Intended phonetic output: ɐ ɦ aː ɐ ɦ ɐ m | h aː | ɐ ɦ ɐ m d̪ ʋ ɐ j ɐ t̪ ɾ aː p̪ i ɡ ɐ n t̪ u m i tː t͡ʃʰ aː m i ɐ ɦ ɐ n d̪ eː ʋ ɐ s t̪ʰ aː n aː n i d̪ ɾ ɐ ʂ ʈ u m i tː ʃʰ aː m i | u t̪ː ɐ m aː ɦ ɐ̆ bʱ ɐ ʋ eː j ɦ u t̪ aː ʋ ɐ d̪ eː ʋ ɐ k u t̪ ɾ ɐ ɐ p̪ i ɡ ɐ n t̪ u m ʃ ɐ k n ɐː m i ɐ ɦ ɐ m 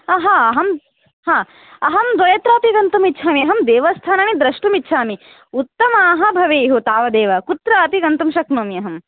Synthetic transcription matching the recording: ɐ ɦ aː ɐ ɦ ɐ m | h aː | ɐ ɦ ɐ m d̪ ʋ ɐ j ɐ t̪ ɾ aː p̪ i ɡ ɐ n t̪ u m i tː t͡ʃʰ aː m i ɐ ɦ ɐ m d̪ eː ʋ ɐ s t̪ʰ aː n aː n i d̪ ɾ ɐ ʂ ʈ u m i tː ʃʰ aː m i | u t̪ː ɐ m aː ɦ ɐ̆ bʱ ɐ ʋ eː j ɦ u t̪ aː ʋ ɐ d̪ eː ʋ ɐ k u t̪ ɾ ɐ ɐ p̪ i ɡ ɐ n t̪ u m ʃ ɐ k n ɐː m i ɐ ɦ ɐ m

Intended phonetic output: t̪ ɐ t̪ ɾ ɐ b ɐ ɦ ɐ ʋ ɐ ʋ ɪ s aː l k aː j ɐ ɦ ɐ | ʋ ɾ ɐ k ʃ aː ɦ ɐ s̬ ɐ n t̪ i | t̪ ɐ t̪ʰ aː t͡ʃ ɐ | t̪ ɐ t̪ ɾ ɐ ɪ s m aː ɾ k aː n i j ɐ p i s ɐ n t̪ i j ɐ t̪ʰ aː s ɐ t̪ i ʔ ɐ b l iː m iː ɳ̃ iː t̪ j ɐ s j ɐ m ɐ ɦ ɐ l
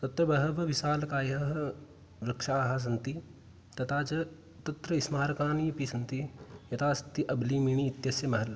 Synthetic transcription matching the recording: t̪ ɐ t̪ ɾ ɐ b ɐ ɦ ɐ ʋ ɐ ʋ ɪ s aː l k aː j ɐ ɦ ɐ | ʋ ɾ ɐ k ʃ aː ɦ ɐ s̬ ɐ n t̪ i | t̪ ɐ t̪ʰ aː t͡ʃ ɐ | t̪ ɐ t̪ ɾ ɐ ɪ s m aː ɾ k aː n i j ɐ p i s ɐ n t̪ i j ɐ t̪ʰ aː s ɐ t̪ i ʔ ɐ b l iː m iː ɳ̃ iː t̪ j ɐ s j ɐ m ɐ ɦ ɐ l

